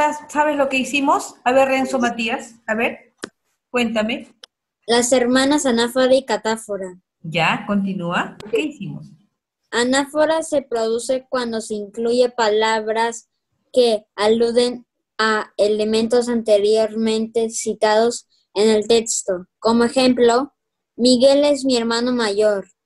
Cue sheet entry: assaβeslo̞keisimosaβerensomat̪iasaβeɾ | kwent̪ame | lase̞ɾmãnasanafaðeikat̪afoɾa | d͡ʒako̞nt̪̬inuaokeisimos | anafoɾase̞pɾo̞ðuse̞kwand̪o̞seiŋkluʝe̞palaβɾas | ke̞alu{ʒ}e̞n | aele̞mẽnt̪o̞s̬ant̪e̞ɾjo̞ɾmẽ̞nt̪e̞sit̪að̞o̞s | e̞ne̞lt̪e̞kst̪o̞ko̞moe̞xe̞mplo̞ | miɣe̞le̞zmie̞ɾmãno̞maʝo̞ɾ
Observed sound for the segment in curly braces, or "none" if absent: ð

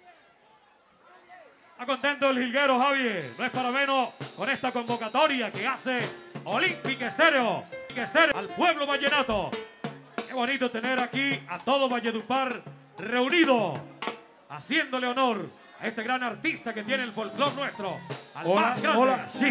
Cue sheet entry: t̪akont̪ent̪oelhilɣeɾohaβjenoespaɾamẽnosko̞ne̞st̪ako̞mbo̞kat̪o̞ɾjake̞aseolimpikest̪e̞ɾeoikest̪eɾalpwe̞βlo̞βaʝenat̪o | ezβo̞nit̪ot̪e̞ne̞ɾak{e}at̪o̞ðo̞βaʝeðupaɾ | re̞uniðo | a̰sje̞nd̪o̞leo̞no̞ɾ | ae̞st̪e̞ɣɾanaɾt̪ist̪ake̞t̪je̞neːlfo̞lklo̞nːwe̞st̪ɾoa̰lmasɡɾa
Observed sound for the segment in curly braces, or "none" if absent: i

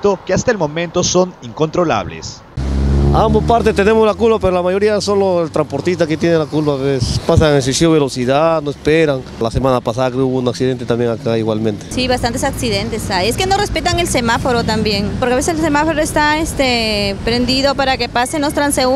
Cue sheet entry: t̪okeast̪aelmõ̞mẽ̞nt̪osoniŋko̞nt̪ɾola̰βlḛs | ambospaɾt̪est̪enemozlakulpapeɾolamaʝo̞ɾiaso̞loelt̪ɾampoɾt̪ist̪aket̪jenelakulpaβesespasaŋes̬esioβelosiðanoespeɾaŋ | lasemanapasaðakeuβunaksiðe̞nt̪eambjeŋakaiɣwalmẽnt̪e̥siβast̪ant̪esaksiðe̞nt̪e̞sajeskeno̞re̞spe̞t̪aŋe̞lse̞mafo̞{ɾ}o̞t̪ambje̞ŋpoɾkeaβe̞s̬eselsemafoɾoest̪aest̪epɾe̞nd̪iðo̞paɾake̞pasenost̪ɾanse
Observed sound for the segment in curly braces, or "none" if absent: ɾ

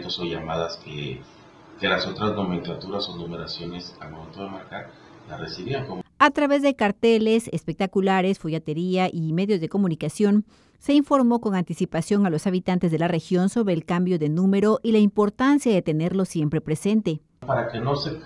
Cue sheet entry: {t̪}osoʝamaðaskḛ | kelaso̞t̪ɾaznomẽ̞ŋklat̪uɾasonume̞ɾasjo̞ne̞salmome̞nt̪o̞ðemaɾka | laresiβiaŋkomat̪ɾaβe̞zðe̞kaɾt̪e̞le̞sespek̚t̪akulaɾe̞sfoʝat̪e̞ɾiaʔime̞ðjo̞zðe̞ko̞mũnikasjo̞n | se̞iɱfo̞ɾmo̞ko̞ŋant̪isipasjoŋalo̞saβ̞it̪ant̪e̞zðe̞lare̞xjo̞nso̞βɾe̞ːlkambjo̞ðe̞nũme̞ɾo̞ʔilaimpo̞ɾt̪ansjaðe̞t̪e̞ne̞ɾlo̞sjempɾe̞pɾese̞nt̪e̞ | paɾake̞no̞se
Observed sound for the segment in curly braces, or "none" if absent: t̪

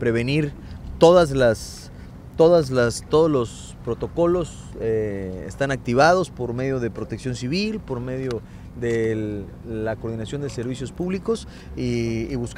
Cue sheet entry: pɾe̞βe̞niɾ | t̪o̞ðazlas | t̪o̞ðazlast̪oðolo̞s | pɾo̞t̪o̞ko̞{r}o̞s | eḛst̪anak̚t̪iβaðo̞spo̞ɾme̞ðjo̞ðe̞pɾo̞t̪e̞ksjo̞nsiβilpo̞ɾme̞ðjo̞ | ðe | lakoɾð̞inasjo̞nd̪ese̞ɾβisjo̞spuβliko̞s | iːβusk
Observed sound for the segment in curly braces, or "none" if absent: l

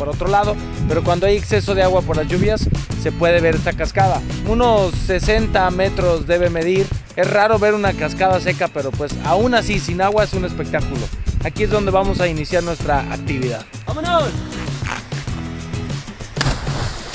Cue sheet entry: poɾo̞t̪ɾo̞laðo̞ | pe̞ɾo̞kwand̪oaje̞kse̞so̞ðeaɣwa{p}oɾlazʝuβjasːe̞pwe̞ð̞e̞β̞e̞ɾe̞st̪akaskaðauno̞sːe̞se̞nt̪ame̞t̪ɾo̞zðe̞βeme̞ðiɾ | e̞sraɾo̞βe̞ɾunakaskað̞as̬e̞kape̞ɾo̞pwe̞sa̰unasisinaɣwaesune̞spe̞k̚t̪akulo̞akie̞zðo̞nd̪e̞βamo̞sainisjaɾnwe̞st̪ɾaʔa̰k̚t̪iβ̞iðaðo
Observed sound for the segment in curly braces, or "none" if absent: p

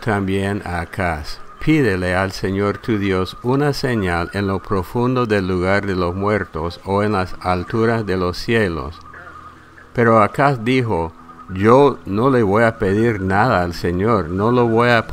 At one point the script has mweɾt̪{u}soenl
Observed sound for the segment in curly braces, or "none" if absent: o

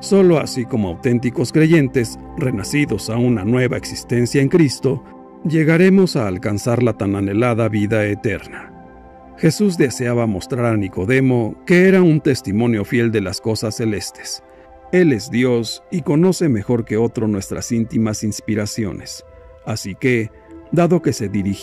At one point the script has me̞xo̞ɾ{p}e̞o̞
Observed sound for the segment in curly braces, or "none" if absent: k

